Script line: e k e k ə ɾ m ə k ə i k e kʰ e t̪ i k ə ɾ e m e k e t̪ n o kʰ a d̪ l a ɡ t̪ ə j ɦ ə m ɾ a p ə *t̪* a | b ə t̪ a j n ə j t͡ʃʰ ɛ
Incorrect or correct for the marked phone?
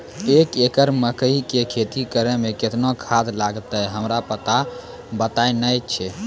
correct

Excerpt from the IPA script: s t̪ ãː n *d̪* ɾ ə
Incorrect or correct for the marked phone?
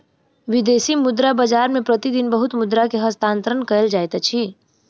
incorrect: t̪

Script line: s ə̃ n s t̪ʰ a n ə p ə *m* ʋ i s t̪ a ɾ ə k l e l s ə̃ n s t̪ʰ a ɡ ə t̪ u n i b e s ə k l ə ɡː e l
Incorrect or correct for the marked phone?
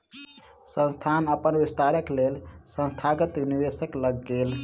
incorrect: n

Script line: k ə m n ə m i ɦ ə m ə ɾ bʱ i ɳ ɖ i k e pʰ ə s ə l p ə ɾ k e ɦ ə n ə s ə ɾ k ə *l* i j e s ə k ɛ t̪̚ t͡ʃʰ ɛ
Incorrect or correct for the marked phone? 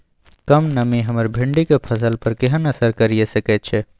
incorrect: ɾ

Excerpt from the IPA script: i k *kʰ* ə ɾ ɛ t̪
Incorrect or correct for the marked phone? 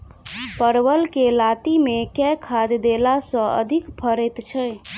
incorrect: pʰ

